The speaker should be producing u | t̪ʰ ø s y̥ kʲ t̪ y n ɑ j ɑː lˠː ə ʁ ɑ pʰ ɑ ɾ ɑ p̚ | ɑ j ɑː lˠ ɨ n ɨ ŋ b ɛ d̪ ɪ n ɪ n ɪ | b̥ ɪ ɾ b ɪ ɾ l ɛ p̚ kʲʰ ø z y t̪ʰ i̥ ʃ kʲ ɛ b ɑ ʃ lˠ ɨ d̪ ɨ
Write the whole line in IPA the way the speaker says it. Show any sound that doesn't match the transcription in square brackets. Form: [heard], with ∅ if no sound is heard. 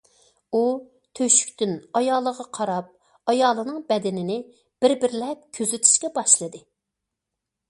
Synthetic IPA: u | t̪ʰ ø [ʃ] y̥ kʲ t̪ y n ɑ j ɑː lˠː ə ʁ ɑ [qʰ] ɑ ɾ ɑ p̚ | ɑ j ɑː lˠ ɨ n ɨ ŋ b ɛ d̪ ɪ n ɪ n ɪ | b̥ ɪ ɾ b ɪ ɾ l ɛ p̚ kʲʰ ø z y t̪ʰ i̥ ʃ kʲ ɛ b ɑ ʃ lˠ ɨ d̪ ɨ